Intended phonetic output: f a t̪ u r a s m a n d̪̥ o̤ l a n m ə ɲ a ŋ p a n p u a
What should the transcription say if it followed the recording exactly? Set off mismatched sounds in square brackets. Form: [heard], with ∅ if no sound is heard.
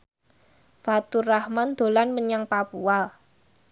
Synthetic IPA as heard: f a t̪ u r a [h] m a n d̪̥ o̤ l a n m ə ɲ a ŋ p a [∅] p u a